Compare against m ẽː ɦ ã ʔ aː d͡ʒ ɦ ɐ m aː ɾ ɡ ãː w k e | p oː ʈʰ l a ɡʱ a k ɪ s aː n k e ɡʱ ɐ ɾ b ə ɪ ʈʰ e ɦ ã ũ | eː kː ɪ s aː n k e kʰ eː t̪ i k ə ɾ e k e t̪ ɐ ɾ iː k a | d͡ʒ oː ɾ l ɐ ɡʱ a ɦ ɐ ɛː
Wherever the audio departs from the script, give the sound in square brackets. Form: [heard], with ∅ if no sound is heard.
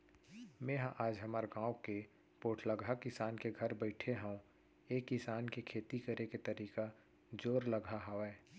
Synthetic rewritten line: m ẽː ɦ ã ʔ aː d͡ʒ ɦ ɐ m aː ɾ ɡ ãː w k e | p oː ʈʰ l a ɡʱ a k ɪ s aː n k e ɡʱ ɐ ɾ b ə ɪ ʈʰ e ɦ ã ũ | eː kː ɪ s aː n k e kʰ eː t̪ i k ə ɾ e k e t̪ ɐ ɾ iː k a | d͡ʒ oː ɾ l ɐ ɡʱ a ɦ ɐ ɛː